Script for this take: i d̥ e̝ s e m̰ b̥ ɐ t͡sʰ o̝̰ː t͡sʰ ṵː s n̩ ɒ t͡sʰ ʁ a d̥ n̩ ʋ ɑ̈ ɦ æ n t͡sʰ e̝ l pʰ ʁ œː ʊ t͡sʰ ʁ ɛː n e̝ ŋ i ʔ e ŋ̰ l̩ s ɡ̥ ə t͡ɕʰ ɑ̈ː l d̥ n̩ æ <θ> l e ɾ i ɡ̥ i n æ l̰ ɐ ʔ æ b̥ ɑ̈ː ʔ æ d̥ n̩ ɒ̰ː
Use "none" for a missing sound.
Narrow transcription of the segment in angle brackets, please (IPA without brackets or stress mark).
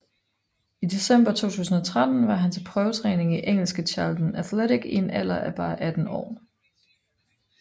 θ